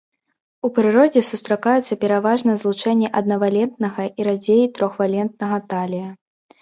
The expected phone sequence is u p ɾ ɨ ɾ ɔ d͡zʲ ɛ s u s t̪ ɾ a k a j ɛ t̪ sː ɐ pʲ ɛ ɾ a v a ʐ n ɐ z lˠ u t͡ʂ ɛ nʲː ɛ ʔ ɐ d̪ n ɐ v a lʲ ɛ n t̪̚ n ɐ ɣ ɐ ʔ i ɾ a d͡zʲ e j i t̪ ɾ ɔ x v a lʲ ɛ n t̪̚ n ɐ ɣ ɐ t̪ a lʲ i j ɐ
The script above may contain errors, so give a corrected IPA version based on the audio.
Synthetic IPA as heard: u p ɾ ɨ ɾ ɔ d͡zʲ ɛ s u s t̪ ɾ a k a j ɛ t̪ sː ɐ pʲ ɛ ɾ a v a ʐ n ɐ z lˠ u t͡ʂ ɛ nʲː ɛ ʔ ɐ d̪ n ɐ v a lʲ ɛ n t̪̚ n ɐ ɣ ɐ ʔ i ɾ a d͡zʲ e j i t̪ ɾ ɔ x v a lʲ ɛ n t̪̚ n ɐ ɣ ɐ t̪ a lʲ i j ɐ